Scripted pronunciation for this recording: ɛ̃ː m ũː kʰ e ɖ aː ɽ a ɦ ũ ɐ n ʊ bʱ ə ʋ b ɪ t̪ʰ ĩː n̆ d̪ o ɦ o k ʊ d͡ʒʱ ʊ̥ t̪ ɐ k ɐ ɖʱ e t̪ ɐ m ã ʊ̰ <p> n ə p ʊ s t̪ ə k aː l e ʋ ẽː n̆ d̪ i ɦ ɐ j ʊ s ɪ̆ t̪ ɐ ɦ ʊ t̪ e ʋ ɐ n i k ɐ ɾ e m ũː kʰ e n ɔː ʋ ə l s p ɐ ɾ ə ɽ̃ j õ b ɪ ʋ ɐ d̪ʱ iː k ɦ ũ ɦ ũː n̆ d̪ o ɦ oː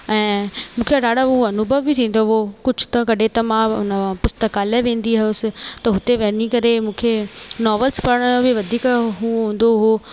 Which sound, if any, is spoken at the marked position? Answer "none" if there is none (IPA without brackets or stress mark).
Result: none